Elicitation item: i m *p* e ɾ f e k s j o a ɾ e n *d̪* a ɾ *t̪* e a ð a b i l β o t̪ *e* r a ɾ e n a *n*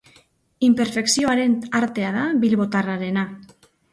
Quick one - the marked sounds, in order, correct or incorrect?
correct, incorrect: t̪, correct, incorrect: a, incorrect: none

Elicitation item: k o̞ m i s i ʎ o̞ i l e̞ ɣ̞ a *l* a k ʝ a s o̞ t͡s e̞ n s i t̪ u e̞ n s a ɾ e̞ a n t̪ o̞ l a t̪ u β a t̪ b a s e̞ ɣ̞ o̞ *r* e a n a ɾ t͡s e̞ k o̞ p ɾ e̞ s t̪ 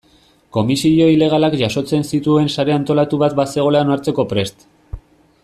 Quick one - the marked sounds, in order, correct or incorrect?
correct, incorrect: l

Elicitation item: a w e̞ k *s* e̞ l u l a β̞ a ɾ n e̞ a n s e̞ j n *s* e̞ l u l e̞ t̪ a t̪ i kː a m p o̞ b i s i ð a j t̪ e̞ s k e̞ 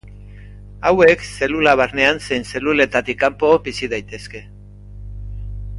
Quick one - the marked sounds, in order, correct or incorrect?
correct, correct

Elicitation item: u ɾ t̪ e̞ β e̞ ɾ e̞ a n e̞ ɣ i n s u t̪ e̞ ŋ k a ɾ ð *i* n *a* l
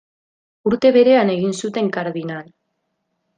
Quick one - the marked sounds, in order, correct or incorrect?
correct, correct

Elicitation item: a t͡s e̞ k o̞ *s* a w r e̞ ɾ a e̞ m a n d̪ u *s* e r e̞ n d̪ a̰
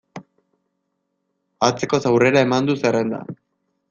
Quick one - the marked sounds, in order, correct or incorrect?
correct, correct

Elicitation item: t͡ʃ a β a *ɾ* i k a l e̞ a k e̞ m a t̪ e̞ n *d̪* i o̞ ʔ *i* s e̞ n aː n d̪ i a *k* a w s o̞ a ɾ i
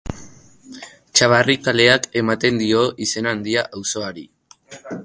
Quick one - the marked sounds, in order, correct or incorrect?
incorrect: r, correct, correct, incorrect: ʔ

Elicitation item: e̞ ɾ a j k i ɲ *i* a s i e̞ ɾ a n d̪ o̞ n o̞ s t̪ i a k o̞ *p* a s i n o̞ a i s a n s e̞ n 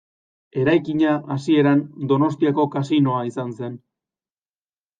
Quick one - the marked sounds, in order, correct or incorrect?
incorrect: a, incorrect: k

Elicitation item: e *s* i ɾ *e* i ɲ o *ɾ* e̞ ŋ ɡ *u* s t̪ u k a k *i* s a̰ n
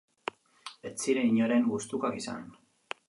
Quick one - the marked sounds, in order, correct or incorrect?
incorrect: t͡s, correct, correct, correct, correct

